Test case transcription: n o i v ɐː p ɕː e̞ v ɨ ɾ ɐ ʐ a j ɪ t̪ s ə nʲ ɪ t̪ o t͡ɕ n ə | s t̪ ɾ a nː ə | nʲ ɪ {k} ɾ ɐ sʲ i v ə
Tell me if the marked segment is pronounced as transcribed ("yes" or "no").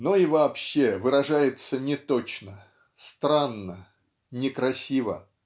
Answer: yes